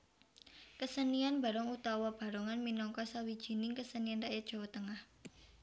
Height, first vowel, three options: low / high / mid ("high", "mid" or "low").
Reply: mid